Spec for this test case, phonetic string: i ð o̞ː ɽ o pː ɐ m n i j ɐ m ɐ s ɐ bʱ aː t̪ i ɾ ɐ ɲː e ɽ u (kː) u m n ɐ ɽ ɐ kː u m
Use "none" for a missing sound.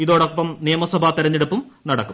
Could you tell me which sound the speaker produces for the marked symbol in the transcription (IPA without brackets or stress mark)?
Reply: pː